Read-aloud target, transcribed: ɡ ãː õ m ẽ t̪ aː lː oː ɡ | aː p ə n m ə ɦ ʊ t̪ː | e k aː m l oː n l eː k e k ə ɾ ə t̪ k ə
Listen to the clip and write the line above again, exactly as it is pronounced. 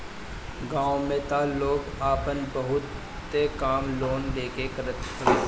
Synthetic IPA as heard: ɡ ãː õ m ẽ t̪ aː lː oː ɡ | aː p ə n b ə ɦ ʊ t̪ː | e k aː m l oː n l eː k e k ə ɾ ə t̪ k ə